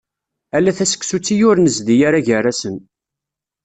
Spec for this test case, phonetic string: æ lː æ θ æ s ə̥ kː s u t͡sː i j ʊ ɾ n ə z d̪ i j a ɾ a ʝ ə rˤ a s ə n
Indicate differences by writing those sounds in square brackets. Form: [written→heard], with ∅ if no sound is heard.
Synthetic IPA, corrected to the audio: æ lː æ θ æ s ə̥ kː s u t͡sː i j ʊ ɾ n ə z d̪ i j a ɾ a ʝ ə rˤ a s ə n